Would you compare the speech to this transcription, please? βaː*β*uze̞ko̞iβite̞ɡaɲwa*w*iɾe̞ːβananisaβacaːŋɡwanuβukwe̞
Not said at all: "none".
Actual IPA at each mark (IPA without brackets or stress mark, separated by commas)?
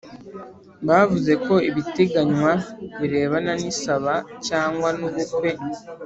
v, β